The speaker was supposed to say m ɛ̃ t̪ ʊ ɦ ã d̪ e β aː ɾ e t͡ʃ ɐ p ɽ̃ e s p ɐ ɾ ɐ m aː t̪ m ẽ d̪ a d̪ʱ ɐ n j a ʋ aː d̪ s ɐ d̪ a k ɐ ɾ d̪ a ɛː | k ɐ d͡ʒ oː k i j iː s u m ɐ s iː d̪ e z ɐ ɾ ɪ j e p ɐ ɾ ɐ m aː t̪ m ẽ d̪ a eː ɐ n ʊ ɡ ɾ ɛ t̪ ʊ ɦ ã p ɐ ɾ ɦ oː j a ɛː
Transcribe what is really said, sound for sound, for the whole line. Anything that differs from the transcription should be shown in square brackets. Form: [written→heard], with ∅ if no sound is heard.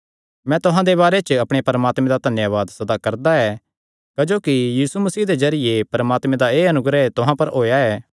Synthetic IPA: m ɛ̃ t̪ ʊ ɦ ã d̪ e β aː ɾ e t͡ʃ ɐ p ɽ̃ e [s→∅] p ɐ ɾ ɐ m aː t̪ m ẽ d̪ a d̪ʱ ɐ n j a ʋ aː d̪ s ɐ d̪ a k ɐ ɾ d̪ a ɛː | k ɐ d͡ʒ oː k i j iː s u m ɐ s iː d̪ e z ɐ ɾ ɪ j e p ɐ ɾ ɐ m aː t̪ m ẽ d̪ a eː ɐ n ʊ ɡ ɾ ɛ t̪ ʊ ɦ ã p ɐ ɾ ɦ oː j a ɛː